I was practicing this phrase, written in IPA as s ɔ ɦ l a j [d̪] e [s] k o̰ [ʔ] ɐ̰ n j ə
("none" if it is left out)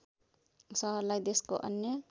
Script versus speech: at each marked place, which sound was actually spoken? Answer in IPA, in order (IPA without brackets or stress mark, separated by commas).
d̪, s, ʔ